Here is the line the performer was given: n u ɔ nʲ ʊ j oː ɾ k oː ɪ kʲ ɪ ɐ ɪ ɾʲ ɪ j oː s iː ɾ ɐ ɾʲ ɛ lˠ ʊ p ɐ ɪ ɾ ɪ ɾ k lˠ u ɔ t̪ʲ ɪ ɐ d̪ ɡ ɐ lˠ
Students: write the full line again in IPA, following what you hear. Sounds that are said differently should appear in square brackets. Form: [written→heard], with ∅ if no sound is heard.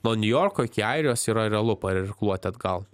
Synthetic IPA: n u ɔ nʲ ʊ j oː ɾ k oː ɪ kʲ ɪ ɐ ɪ ɾʲ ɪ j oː s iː ɾ ɐ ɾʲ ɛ lˠ ʊ p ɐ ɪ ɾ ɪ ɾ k lˠ u ɔ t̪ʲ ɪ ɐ d̪ ɡ ɐ lˠ